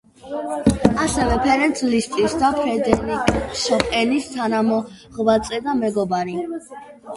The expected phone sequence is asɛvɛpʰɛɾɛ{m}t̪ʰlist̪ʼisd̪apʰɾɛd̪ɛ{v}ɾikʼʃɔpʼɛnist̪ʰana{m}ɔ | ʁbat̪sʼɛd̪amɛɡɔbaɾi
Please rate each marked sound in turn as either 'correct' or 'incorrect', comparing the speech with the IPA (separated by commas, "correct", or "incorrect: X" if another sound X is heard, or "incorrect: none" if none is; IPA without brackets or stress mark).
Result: incorrect: n, incorrect: none, correct